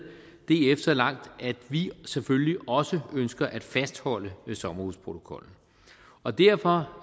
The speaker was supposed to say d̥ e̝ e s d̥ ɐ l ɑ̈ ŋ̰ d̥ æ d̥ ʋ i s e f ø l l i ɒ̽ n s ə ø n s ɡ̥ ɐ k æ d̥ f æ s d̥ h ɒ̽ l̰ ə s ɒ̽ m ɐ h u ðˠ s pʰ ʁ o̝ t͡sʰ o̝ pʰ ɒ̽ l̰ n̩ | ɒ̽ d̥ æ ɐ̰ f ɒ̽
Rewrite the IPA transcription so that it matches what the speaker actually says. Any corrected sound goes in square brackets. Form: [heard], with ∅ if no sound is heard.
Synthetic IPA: d̥ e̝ e [f] d̥ ɐ l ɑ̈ ŋ̰ d̥ æ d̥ ʋ i s e f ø l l i ɒ̽ [∅] s ə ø n s ɡ̥ ɐ [ʔ] æ d̥ f æ s d̥ h ɒ̽ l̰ ə s ɒ̽ m ɐ h u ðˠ s pʰ ʁ o̝ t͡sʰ o̝ [kʰ] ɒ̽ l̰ n̩ | ɒ̽ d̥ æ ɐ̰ f ɒ̽